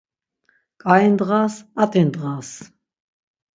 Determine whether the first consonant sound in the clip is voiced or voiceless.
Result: voiceless